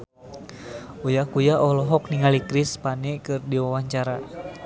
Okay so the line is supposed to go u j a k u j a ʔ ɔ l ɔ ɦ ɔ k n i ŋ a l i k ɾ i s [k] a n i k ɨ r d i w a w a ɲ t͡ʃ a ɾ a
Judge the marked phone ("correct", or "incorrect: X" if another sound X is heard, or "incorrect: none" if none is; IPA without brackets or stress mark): incorrect: p